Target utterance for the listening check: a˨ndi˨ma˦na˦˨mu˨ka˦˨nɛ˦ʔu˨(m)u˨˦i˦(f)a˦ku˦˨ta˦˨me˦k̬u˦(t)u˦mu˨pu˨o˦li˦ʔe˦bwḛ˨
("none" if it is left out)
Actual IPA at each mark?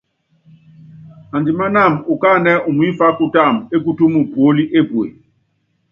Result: m, f, t

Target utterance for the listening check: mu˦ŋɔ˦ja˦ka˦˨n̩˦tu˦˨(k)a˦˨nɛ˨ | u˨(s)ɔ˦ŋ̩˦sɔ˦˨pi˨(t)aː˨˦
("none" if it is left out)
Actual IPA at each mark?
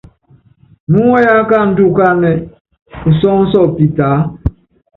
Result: k, s, t

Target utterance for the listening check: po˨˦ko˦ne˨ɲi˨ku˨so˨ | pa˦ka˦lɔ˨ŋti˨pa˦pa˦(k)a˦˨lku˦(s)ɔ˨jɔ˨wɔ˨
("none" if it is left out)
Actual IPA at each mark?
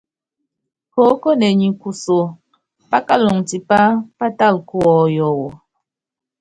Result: t, none

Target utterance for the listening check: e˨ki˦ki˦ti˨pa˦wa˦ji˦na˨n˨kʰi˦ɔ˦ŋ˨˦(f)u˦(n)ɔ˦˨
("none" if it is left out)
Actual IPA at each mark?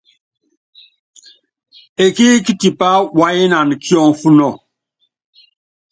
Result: f, n

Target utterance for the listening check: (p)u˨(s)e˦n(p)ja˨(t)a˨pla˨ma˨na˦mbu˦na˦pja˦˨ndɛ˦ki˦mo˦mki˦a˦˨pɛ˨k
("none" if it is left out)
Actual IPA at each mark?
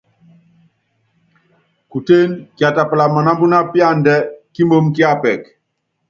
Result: k, t, k, t

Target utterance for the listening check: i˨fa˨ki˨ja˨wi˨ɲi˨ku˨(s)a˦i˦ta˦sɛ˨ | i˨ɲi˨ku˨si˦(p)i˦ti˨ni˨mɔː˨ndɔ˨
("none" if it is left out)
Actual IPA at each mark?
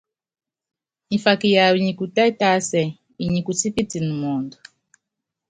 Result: t, p

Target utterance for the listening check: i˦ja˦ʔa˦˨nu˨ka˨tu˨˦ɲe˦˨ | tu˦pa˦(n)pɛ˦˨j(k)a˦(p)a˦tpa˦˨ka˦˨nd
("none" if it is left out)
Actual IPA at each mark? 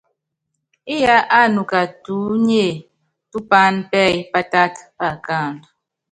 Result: n, p, t

